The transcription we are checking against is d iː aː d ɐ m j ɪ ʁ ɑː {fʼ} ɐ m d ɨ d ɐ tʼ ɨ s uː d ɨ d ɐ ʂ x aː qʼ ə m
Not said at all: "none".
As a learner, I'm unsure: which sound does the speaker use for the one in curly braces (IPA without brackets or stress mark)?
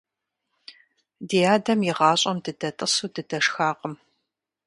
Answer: ɕʼ